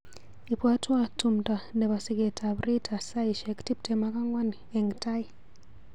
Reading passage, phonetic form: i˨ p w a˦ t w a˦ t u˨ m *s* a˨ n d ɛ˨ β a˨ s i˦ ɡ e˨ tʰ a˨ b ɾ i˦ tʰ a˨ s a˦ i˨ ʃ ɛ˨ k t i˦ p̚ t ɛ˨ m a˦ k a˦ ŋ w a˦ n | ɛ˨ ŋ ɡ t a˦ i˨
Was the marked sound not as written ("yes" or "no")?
yes